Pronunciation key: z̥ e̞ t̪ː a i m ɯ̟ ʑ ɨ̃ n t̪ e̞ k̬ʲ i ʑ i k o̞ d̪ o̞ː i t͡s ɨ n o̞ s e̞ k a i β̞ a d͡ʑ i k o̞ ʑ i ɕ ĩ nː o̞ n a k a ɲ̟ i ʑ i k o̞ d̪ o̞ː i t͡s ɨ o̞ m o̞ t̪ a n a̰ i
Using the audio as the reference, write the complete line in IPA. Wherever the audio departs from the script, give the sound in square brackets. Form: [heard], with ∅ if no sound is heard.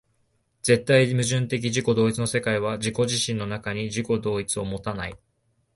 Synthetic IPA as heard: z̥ e̞ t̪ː a i m ɯ̟ ʑ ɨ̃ n t̪ e̞ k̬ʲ i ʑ i k o̞ d̪ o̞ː i t͡s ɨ n o̞ s e̞ k a i β̞ a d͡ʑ i k o̞ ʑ i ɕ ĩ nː o̞ n a k a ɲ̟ i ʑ i k o̞ d̪ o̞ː i t͡s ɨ o̞ m o̞ t̪ a n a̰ i